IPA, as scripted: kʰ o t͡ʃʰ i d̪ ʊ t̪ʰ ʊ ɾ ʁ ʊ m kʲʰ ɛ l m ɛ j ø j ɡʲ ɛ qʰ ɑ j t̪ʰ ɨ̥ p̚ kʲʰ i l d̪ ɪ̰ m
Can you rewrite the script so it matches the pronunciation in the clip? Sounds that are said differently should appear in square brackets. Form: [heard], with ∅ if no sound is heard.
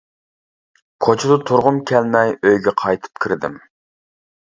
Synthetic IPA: kʰ o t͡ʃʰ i d̪ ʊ t̪ʰ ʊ ɾ ʁ ʊ m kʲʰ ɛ l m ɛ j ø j ɡʲ ɛ qʰ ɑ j t̪ʰ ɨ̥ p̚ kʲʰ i [ɾ] d̪ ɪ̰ m